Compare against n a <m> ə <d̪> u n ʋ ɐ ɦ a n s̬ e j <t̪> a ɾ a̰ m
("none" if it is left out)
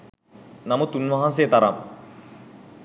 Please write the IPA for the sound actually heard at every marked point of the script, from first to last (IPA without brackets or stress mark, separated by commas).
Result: m, t̪, t̪